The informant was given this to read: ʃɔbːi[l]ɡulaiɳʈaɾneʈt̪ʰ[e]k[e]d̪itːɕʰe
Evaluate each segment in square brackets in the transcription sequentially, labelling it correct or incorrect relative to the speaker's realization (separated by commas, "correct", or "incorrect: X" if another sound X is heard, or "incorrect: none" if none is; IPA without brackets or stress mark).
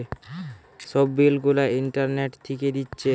correct, incorrect: i, correct